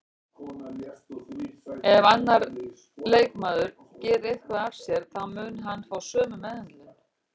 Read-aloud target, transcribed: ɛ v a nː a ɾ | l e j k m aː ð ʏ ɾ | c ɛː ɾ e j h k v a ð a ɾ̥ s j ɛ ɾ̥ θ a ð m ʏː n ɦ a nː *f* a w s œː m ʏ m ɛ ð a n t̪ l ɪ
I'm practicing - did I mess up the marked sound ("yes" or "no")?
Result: no